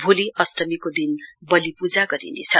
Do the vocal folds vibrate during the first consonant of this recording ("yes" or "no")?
yes